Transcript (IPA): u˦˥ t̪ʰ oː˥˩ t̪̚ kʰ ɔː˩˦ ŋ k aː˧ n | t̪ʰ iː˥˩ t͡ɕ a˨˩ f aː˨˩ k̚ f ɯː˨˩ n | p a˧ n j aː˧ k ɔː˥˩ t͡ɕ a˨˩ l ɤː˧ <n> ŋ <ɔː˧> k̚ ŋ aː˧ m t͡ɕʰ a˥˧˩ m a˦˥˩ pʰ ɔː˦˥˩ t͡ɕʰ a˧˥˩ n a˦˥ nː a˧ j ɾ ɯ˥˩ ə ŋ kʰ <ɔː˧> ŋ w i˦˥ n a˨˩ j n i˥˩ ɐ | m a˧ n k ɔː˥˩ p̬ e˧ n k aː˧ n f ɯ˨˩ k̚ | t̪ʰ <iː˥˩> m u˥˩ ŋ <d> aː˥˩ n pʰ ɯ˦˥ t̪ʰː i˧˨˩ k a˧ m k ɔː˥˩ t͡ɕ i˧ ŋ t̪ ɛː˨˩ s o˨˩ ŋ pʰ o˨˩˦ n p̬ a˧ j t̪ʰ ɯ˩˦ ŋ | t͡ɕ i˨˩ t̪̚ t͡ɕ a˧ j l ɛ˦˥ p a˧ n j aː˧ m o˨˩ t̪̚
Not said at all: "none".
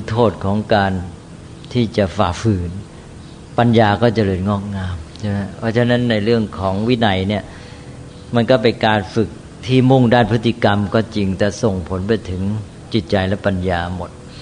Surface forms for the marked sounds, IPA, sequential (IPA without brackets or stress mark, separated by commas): n, ɔː˥˩, ɔː˩˦, iː˥˩, d